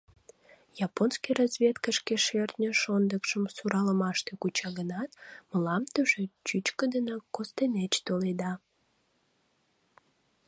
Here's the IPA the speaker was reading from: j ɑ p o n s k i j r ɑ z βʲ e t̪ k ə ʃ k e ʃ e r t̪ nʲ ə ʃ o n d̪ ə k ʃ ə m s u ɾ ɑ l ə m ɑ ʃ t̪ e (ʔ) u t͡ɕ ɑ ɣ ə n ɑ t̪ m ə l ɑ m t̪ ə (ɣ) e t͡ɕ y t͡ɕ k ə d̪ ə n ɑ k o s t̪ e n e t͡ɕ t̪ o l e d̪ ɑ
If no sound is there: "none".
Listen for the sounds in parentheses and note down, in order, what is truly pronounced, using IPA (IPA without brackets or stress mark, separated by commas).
k, ʒ